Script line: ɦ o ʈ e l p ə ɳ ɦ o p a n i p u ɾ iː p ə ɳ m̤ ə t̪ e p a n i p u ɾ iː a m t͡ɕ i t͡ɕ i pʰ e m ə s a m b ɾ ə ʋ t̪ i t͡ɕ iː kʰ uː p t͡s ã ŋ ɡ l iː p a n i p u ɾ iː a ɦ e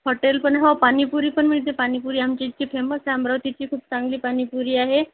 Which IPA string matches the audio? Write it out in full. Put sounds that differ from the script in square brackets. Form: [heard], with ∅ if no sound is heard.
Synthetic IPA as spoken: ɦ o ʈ e l p ə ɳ ɦ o p a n i p u ɾ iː p ə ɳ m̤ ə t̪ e p a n i p u ɾ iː a m t͡ɕ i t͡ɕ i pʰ e m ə s a m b ɾ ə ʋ t̪ i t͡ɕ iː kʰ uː p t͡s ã ŋ ɡ l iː p a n i p u ɾ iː a ɦ e

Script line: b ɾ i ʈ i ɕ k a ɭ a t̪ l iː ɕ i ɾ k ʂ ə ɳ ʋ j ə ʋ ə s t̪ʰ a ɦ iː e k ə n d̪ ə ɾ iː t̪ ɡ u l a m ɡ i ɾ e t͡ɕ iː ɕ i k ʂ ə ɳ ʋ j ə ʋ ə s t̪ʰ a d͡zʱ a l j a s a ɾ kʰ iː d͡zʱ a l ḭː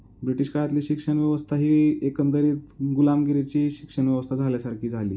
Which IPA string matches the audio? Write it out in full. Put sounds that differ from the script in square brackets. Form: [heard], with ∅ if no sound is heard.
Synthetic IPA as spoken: b ɾ i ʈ i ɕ k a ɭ a t̪ l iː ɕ i [∅] k ʂ ə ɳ ʋ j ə ʋ ə s t̪ʰ a ɦ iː e k ə n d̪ ə ɾ iː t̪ ɡ u l a m ɡ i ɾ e t͡ɕ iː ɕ i k ʂ ə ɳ ʋ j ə ʋ ə s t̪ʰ a d͡zʱ a l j a s a ɾ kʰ iː d͡zʱ a l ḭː

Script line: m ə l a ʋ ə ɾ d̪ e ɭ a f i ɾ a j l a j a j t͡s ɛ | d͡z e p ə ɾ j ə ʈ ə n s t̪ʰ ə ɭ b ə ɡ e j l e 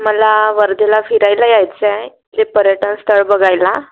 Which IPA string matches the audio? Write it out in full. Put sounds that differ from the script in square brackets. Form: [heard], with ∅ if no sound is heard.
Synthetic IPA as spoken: m ə l a ʋ ə ɾ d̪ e [l] a f i ɾ a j l a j a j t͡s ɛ | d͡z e p ə ɾ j ə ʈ ə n s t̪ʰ ə ɭ b ə ɡ [a] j l [a]

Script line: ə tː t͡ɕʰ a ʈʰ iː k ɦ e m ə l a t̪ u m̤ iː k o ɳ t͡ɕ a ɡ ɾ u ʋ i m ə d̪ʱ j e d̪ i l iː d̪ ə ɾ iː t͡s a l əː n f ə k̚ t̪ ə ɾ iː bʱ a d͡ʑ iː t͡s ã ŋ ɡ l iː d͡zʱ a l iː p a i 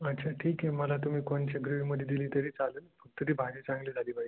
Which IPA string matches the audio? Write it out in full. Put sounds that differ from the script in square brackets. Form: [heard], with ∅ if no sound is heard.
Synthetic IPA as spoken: ə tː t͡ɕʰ a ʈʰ iː k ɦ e m ə l a t̪ u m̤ iː k o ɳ t͡ɕ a ɡ ɾ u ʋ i m ə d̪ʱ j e d̪ i l iː [t̪] ə ɾ iː t͡s a l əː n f ə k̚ t̪ ə ɾ iː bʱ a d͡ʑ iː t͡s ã ŋ ɡ l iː d͡zʱ a l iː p a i

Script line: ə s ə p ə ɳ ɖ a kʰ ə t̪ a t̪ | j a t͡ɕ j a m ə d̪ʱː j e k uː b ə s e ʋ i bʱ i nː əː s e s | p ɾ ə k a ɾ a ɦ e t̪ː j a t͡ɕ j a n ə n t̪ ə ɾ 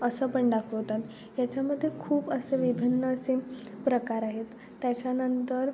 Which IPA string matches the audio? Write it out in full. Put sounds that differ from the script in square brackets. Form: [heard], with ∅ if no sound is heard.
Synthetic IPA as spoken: ə s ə p ə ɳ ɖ a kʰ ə t̪ a t̪ | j a t͡ɕ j a m ə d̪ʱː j e [kʰ] uː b ə s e ʋ i bʱ i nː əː s e [∅] | p ɾ ə k a ɾ a ɦ e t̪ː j a t͡ɕ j a n ə n t̪ ə ɾ

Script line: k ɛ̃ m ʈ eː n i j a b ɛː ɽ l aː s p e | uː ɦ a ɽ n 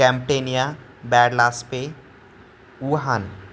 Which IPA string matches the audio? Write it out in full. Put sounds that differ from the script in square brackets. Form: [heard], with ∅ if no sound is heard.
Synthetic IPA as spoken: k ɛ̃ m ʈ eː n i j a b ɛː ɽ l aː s p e | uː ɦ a [∅] n

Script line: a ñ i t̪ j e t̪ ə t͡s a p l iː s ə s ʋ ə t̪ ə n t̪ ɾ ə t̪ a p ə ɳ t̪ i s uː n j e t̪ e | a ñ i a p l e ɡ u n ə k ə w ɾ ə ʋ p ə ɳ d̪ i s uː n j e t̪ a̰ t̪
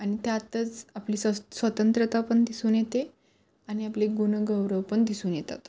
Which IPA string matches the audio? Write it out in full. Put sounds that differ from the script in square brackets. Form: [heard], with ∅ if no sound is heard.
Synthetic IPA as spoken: a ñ i t̪ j [a] t̪ ə t͡s a p l iː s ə s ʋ ə t̪ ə n t̪ ɾ ə t̪ a p ə ɳ [d̪] i s uː n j e t̪ e | a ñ i a p l e ɡ u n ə [ɡ] ə w ɾ ə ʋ p ə ɳ d̪ i s uː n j e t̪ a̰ t̪

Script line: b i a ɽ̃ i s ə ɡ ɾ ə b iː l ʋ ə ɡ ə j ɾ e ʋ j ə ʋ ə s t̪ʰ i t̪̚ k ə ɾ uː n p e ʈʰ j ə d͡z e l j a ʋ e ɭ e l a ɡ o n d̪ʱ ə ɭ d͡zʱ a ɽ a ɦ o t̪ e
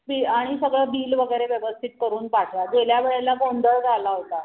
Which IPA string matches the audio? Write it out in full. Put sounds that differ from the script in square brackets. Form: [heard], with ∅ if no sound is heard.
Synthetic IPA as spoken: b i a ɽ̃ i s ə ɡ [ɭ] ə b iː l ʋ ə ɡ ə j ɾ e ʋ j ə ʋ ə s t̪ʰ i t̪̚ k ə ɾ uː n p [a] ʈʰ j [a] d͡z e l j a ʋ e ɭ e l a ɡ o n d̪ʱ ə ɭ d͡zʱ a [l] a ɦ o t̪ [a]

